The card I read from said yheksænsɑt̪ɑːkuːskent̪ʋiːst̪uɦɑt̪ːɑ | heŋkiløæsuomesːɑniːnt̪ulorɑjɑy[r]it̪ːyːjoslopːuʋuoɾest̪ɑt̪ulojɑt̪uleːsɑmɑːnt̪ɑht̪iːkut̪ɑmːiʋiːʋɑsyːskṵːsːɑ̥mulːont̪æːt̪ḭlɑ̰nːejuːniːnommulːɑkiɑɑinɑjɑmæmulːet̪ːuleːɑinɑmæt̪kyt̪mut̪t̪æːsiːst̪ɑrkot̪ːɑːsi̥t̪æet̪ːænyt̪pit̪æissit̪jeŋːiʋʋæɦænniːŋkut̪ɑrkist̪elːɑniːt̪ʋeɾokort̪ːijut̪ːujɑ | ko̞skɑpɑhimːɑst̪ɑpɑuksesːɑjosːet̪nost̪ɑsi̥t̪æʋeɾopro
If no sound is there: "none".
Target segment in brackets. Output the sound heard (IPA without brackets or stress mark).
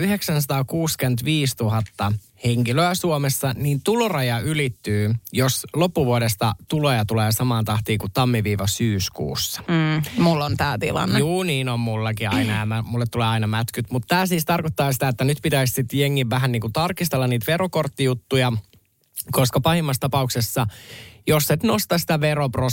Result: l